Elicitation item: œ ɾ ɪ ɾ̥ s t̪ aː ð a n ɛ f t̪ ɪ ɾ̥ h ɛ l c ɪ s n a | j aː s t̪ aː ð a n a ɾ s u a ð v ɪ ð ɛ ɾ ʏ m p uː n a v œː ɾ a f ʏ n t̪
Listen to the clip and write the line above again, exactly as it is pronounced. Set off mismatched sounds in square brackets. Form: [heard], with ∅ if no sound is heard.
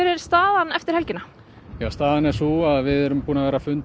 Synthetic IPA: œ ɾ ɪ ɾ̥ s t̪ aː ð a n ɛ f t̪ ɪ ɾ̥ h ɛ l c ɪ [∅] n a | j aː s t̪ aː ð a n [ɛ] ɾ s u a ð v ɪ ð ɛ ɾ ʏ m p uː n a v [ɛː] ɾ a f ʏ n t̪